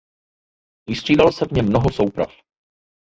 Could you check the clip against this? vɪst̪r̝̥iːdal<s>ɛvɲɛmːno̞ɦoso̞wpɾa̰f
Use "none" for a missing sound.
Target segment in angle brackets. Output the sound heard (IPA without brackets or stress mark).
s